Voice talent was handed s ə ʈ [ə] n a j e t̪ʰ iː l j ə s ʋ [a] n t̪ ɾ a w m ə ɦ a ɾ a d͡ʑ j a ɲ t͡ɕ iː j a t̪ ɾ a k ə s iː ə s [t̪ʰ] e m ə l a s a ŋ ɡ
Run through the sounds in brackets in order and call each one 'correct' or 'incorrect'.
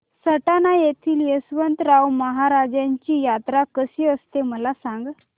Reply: incorrect: a, incorrect: ə, incorrect: t̪

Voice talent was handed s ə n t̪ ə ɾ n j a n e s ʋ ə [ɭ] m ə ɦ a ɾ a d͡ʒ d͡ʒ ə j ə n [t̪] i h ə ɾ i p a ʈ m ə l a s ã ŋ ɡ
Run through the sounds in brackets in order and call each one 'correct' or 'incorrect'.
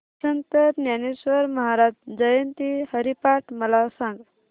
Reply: incorrect: ɾ, correct

